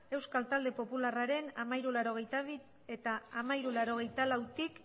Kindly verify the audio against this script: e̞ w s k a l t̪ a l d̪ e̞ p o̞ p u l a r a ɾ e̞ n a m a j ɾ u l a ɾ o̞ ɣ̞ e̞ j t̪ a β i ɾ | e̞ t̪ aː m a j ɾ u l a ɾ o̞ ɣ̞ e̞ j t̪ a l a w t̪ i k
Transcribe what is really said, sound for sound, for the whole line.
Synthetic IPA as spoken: e̞ w s k a l t̪ a l d̪ e̞ p o̞ p u l a r a ɾ e̞ n a m a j ɾ u l a ɾ o̞ ɣ̞ e̞ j t̪ a β i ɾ | e̞ t̪ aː m a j ɾ u l a ɾ o̞ ɣ̞ e̞ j t̪ a l a w t̪ i k